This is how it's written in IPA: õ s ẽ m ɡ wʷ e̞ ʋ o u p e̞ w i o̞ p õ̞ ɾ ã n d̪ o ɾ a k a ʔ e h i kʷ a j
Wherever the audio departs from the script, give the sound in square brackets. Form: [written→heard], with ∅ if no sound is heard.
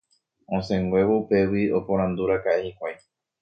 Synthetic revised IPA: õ s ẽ [m→ŋ] ɡ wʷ e̞ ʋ o u p e̞ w i o̞ p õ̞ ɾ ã n d̪ [o→u] ɾ a k a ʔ e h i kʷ a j